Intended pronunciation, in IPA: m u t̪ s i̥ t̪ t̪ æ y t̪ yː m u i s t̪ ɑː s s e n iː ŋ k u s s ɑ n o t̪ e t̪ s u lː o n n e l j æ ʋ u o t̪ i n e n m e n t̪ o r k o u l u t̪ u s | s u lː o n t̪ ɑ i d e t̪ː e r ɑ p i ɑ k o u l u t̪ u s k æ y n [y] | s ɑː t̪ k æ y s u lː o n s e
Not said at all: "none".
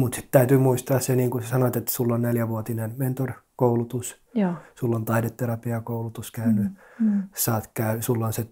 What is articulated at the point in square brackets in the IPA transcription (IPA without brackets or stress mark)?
y